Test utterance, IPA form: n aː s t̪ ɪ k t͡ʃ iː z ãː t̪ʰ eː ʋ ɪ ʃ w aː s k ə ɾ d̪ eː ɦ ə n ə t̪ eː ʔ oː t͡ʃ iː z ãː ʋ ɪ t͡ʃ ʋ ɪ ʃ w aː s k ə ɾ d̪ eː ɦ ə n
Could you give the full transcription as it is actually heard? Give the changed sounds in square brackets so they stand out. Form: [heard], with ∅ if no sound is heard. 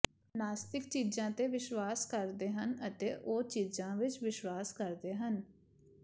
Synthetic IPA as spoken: n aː s t̪ ɪ k t͡ʃ iː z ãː [t̪] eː ʋ ɪ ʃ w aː s k ə ɾ d̪ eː ɦ ə n ə t̪ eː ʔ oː t͡ʃ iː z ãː ʋ ɪ t͡ʃ ʋ ɪ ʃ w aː s k ə ɾ d̪ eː ɦ ə n

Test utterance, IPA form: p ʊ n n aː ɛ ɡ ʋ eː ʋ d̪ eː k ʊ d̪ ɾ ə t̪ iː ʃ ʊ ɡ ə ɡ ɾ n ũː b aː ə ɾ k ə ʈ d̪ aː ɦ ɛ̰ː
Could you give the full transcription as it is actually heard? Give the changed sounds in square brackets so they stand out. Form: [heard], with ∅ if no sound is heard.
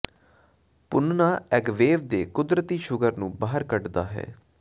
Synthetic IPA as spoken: p ʊ n n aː ɛ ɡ ʋ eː ʋ d̪ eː k ʊ d̪ ɾ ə t̪ iː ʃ ʊ ɡ ə [∅] ɾ n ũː b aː ə ɾ k ə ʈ d̪ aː ɦ ɛ̰ː

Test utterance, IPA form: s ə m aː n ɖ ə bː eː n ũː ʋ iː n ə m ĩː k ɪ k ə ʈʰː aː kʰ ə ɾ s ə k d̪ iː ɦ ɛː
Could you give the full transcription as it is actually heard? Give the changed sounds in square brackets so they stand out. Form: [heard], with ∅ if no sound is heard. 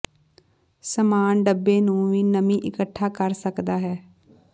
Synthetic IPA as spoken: s ə m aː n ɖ ə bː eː n ũː ʋ iː n ə m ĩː [ʔ] ɪ k ə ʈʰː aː [k] ə ɾ s ə k d̪ [aː] ɦ ɛː

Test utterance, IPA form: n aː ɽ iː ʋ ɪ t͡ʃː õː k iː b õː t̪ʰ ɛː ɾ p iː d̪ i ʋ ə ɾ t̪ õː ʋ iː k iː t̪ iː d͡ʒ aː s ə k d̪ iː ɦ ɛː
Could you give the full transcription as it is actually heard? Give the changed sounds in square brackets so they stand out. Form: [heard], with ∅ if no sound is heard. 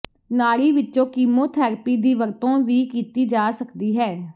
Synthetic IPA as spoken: n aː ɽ iː ʋ ɪ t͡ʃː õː k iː [m] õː t̪ʰ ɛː ɾ p iː d̪ [iː] ʋ ə ɾ t̪ õː ʋ iː k iː t̪ iː d͡ʒ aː s ə k d̪ iː ɦ ɛː

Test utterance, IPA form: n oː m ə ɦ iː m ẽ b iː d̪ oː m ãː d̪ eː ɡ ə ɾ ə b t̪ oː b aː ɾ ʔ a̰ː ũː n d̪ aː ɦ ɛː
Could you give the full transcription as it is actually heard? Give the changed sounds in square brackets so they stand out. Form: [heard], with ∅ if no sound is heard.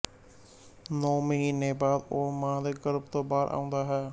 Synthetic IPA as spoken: n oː m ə ɦ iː [n] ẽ b [aː] d̪ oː m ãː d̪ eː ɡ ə ɾ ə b t̪ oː b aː ɾ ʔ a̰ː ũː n d̪ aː ɦ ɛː

